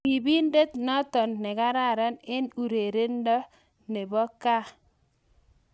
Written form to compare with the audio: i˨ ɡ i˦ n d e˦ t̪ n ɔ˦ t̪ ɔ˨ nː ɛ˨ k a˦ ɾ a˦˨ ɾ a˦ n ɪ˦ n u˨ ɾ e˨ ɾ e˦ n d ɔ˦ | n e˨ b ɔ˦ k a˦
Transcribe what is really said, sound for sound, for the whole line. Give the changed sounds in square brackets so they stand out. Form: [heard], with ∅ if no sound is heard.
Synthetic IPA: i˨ [b] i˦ n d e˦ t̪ n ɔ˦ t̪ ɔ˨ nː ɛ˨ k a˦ ɾ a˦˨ ɾ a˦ n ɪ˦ n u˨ ɾ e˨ ɾ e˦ n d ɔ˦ | n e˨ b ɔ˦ k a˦